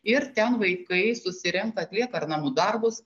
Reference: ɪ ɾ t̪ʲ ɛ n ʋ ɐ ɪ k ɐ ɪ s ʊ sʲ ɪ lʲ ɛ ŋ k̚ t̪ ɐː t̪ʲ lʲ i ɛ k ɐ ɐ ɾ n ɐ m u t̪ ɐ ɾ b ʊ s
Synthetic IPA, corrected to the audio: ɪ ɾ t̪ʲ ɛ n ʋ ɐ ɪ k ɐ ɪ s ʊ sʲ ɪ ɾʲ ɛ ŋ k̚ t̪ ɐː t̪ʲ lʲ i ɛ k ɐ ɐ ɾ n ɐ m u d̪ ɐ ɾ b ʊ s

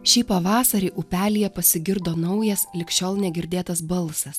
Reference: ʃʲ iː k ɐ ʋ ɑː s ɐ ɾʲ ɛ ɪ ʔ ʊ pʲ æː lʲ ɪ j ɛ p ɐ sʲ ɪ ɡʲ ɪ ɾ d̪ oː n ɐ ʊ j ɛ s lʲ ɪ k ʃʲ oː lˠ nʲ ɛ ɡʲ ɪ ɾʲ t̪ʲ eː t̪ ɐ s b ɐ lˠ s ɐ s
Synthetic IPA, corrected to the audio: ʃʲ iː p ɐ ʋ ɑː s ɐ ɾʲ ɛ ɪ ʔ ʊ pʲ æː lʲ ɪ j ɛ p ɐ sʲ ɪ ɡʲ ɪ ɾ d̪ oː n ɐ ʊ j ɛ s lʲ ɪ k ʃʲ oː lˠ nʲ ɛ ɡʲ ɪ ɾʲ d̪ʲ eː t̪ ɐ s b ɐ lˠ s ɐ s

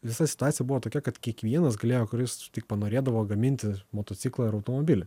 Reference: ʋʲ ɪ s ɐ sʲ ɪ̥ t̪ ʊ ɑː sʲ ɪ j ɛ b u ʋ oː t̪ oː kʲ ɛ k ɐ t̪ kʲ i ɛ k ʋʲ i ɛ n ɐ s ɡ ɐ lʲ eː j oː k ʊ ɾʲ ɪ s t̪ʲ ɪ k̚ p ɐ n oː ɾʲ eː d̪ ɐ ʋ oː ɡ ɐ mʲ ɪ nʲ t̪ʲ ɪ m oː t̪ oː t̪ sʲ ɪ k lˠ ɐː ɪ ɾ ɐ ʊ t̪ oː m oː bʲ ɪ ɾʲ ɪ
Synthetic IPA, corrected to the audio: ʋʲ ɪ s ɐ sʲ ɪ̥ t̪ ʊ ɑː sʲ ɪ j ɛ b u ʋ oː t̪ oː kʲ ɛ k ɐ t̪ kʲ i ɛ k ʋʲ i ɛ n ɐ s ɡ ɐ lʲ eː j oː k ʊ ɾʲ ɪ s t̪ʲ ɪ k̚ p ɐ n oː ɾʲ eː d̪ ɐ ʋ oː ɡ ɐ mʲ ɪ nʲ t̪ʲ ɪ m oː t̪ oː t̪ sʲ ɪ k lˠ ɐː ɪ ɾ ɐ ʊ t̪ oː m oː bʲ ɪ lʲ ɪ

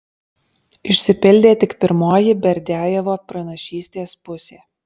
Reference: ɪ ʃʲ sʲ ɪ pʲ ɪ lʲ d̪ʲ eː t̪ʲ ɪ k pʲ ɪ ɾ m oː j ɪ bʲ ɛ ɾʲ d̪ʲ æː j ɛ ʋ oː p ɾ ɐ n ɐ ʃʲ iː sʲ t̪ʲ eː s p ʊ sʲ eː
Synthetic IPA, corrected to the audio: ɪ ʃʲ sʲ ɪ pʲ ɪ lʲ d̪ʲ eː t̪ʲ ɪ k pʲ ɪ ɾ m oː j ɪ bʲ ɛ ɾʲ d̪ʲ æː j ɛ ʋ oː p ɾ ɐ n ɐ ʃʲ iː sʲ t̪ʲ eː s p ʊ sʲ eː

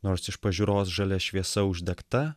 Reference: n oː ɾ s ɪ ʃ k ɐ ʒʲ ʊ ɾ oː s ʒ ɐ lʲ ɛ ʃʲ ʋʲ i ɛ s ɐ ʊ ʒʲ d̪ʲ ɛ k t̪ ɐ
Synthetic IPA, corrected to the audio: n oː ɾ s ɪ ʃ p ɐ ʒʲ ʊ ɾ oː s ʒ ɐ lʲ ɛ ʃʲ ʋʲ i ɛ s ɐ ʊ ʒʲ d̪ʲ ɛ k t̪ ɐ

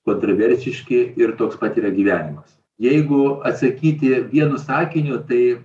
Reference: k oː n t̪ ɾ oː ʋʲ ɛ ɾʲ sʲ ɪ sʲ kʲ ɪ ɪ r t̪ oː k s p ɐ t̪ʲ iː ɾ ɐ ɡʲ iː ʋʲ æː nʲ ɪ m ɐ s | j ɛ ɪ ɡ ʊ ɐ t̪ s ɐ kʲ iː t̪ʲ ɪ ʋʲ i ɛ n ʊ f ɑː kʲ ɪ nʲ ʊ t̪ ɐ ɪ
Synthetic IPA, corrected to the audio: k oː n t̪ ɾ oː ʋʲ ɛ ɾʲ sʲ ɪ ʃʲ kʲ ɪ ɪ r t̪ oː k s p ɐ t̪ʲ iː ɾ ɐ ɡʲ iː ʋʲ æː nʲ ɪ m ɐ s | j ɛ ɪ ɡ ʊ ɐ t̪ s ɐ kʲ iː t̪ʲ ɪ ʋʲ i ɛ n ʊ s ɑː kʲ ɪ nʲ ʊ t̪ ɐ ɪ

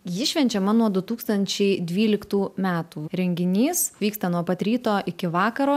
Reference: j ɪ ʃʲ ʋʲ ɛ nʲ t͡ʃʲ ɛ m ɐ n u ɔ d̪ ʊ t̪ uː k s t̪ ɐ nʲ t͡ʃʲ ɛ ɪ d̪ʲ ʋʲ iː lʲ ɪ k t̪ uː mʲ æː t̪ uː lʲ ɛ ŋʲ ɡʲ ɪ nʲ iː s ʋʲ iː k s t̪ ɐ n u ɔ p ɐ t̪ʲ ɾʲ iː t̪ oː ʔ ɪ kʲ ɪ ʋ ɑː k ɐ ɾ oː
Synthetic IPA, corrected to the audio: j ɪ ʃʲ ʋʲ ɛ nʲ t͡ʃʲ ɛ m ɐ n u ɔ d̪ ʊ t̪ uː k s t̪ ɐ nʲ t͡ʃʲ ɛ ɪ d̪ʲ ʋʲ iː lʲ ɪ k t̪ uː mʲ æː t̪ uː ɾʲ ɛ ŋʲ ɡʲ ɪ nʲ iː s ʋʲ iː k s t̪ ɐ n u ɔ p ɐ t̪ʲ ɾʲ iː t̪ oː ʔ ɪ kʲ ɪ ʋ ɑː k ɐ ɾ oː

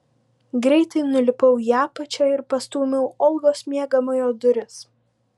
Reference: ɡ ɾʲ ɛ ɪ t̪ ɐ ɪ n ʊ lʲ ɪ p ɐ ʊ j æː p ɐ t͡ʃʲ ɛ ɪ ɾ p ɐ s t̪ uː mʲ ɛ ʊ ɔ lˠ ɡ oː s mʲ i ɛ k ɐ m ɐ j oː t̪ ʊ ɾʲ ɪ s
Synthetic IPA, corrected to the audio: ɡ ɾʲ ɛ ɪ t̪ ɐ ɪ n ʊ lʲ ɪ p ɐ ʊ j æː p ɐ t͡ʃʲ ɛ ɪ ɾ p ɐ s t̪ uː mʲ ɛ ʊ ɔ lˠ ɡ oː s mʲ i ɛ ɡ ɐ m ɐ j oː d̪ ʊ ɾʲ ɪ s

